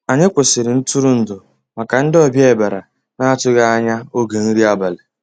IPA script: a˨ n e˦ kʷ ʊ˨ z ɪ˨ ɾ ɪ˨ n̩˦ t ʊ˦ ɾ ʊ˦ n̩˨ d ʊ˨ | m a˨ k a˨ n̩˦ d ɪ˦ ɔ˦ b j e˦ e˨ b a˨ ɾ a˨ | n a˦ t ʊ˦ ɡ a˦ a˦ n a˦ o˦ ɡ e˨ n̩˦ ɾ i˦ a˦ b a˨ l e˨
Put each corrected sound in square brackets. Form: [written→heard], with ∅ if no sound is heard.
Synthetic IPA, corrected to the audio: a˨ [n→ɲ] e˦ kʷ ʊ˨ [z→s] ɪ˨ ɾ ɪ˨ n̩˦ t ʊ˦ ɾ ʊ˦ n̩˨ d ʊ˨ | m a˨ k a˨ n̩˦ d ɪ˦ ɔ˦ b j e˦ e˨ b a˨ ɾ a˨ | n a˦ t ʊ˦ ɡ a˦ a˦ [n→ɲ] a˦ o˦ ɡ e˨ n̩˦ ɾ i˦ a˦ b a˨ l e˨